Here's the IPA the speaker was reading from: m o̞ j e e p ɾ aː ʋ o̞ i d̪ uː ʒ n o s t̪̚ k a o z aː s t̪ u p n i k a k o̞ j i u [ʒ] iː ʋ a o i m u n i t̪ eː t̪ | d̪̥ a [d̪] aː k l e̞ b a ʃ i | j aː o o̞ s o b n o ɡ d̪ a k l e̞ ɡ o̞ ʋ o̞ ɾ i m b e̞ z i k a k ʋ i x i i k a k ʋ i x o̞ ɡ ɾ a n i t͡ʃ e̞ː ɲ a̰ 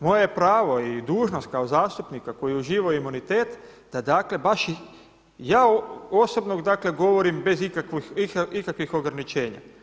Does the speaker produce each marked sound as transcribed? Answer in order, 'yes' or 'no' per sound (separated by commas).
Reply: yes, yes